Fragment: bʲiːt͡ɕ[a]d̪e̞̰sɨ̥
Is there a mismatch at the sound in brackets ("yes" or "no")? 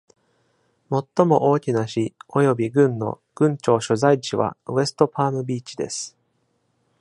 yes